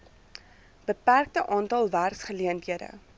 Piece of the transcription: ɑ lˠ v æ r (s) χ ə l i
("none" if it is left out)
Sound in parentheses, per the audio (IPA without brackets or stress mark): s